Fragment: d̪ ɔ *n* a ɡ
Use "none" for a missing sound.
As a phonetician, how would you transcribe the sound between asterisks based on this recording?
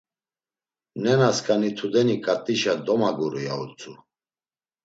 m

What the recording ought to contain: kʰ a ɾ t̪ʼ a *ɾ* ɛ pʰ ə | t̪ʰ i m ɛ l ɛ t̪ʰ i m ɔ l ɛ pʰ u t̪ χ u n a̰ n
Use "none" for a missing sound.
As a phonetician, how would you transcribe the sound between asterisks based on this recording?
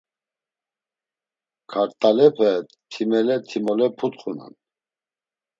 l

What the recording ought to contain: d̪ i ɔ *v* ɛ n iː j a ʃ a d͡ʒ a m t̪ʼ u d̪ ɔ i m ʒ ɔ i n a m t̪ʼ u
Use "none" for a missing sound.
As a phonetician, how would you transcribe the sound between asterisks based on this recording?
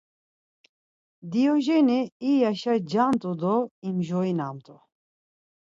ʒ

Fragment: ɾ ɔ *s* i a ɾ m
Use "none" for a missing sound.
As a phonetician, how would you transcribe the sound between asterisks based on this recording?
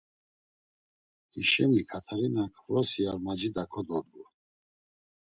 s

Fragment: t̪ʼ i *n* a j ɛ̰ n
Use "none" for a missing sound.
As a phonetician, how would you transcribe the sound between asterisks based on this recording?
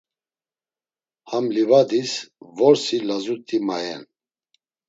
m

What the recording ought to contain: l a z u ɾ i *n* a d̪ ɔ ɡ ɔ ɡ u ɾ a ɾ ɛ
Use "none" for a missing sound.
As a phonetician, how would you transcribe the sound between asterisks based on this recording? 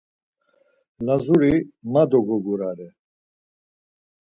m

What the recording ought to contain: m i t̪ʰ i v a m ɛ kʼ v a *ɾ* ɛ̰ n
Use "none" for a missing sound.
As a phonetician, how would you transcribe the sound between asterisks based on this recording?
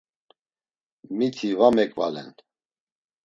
l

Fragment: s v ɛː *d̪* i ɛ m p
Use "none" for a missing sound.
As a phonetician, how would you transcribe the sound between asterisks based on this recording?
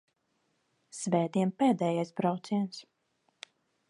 d̪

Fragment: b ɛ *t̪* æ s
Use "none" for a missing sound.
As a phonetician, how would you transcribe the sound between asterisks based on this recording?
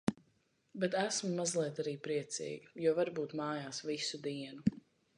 t̪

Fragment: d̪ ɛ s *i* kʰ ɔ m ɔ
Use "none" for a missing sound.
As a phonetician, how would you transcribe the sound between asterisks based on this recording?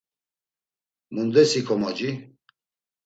i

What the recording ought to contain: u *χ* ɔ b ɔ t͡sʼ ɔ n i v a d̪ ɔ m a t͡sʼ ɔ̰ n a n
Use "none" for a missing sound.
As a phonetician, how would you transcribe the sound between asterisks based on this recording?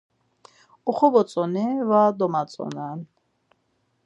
χ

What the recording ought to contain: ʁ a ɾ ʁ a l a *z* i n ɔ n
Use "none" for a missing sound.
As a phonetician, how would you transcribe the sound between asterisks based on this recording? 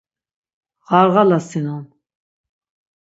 s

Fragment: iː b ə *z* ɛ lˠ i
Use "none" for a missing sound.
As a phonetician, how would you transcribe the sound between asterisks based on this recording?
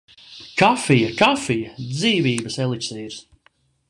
s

